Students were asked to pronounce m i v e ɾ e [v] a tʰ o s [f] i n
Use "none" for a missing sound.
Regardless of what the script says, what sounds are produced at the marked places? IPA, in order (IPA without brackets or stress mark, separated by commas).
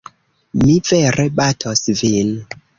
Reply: b, v